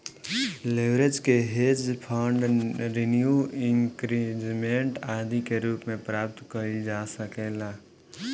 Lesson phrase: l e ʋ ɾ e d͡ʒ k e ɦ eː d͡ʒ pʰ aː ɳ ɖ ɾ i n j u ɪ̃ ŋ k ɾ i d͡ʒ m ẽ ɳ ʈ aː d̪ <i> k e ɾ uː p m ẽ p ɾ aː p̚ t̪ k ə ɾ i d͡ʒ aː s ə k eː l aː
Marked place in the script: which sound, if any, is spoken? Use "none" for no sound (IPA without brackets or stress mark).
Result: i